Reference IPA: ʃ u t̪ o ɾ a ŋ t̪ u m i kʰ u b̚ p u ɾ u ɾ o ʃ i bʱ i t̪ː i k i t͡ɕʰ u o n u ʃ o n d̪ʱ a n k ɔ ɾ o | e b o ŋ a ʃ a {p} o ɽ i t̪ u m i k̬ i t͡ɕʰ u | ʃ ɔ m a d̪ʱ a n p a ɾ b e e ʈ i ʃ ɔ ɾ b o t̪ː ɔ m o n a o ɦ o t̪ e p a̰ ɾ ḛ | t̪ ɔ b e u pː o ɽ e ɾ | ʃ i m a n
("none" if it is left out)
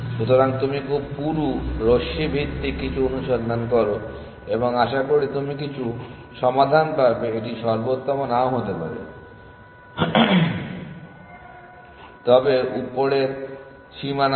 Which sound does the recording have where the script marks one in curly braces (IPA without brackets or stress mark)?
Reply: k